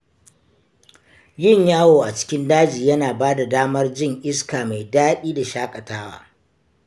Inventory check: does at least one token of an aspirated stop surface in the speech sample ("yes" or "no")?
no